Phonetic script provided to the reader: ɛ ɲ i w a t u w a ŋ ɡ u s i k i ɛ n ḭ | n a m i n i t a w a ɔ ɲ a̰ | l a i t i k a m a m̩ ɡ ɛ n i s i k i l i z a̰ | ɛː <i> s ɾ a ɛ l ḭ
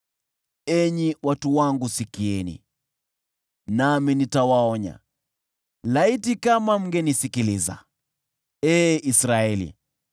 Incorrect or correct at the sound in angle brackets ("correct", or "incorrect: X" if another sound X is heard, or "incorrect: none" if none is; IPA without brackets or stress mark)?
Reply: correct